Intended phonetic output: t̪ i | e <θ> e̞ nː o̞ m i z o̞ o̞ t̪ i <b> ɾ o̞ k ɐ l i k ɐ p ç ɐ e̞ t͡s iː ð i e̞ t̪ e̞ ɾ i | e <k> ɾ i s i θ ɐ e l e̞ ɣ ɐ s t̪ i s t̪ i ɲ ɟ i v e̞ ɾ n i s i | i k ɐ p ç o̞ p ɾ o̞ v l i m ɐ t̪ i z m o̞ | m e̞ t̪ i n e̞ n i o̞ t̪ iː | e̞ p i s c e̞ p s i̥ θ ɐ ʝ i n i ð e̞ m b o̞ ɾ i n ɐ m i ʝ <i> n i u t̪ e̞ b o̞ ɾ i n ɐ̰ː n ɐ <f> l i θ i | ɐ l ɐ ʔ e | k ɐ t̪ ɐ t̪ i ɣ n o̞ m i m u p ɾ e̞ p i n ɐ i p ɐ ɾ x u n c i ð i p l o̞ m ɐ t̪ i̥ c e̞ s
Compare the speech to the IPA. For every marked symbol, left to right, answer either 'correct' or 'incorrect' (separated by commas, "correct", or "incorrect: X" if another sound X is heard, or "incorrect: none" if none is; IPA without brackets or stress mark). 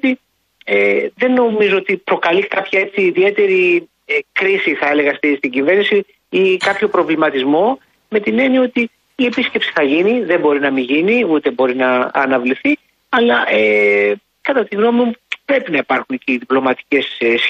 incorrect: ð, incorrect: p, correct, correct, incorrect: v